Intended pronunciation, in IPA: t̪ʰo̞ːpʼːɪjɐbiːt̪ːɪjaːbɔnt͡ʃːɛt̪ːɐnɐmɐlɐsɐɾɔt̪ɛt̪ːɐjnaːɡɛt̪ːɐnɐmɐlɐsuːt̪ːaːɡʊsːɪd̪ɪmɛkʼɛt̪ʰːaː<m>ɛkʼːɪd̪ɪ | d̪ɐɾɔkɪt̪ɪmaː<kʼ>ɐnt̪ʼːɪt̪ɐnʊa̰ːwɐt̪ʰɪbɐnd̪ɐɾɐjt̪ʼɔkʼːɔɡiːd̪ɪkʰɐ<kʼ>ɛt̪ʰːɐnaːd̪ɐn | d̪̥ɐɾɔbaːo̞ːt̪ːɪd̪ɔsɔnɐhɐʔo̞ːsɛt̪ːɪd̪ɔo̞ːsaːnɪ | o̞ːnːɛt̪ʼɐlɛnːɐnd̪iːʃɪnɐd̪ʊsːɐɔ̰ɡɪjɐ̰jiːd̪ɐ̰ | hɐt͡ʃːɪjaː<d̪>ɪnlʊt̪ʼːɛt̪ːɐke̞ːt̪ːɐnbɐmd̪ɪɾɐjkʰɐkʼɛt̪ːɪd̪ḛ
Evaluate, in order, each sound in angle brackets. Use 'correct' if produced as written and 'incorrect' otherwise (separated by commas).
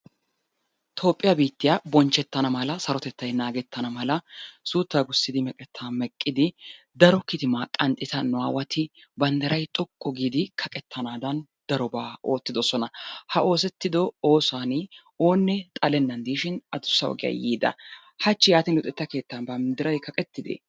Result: correct, correct, correct, incorrect